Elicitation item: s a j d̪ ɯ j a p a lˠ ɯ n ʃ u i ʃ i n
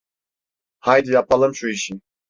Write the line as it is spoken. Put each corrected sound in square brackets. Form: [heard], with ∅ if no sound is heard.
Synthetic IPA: [h] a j d̪ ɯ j a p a lˠ ɯ [m] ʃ u i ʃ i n